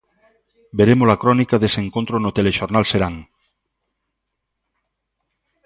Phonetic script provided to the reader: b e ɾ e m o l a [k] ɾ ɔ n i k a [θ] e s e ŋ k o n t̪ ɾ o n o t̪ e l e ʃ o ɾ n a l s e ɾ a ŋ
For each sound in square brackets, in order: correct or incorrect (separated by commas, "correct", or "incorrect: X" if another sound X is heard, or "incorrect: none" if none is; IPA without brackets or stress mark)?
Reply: correct, incorrect: ð